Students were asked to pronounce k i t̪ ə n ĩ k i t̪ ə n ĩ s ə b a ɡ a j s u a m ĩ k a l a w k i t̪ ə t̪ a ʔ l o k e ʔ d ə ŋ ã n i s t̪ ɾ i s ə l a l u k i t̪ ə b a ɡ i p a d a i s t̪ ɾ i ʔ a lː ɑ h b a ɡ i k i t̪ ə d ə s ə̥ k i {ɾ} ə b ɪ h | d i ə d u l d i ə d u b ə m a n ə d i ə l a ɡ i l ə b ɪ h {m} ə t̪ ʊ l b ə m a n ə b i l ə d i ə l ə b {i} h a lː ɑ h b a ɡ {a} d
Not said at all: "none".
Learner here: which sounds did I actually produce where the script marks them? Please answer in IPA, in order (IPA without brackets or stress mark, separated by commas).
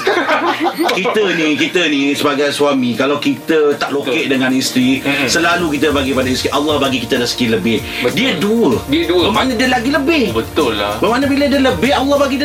l, b, ɪ, i